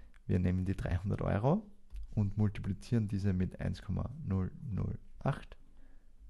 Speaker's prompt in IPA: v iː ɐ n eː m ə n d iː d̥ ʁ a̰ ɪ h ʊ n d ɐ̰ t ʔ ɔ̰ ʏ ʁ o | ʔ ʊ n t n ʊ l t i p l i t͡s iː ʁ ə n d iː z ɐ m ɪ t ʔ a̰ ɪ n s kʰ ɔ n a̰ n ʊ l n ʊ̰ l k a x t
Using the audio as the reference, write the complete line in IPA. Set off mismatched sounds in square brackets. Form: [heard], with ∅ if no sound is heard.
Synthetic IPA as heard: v iː ɐ n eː m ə n d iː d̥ ʁ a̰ ɪ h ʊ n d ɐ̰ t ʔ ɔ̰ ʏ ʁ o | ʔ ʊ n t [m] ʊ l t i p l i t͡s iː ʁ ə n d iː z [ə] m ɪ t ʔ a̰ ɪ n s kʰ ɔ [m] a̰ n ʊ l n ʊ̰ l [ʔ] a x t